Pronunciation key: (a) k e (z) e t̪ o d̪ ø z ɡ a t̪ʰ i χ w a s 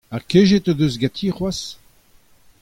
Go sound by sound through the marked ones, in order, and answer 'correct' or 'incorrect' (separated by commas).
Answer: correct, incorrect